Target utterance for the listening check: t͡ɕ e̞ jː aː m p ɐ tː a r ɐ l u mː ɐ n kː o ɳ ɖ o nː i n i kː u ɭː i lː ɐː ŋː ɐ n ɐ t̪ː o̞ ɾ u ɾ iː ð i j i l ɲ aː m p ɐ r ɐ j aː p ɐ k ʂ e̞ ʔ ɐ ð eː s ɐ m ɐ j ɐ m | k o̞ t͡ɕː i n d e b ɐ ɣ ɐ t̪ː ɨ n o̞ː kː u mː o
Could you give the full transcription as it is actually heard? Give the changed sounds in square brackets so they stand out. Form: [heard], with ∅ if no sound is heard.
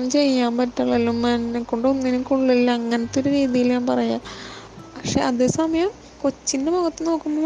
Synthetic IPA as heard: t͡ɕ e̞ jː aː m p ɐ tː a [ɭ] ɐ l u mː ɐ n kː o ɳ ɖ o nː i n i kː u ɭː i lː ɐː ŋː ɐ n ɐ t̪ː o̞ ɾ u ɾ iː ð i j i l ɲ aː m p ɐ r ɐ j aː p ɐ k ʂ e̞ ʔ ɐ ð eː s ɐ m ɐ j ɐ m | k o̞ t͡ɕː i n d e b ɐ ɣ ɐ t̪ː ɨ n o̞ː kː u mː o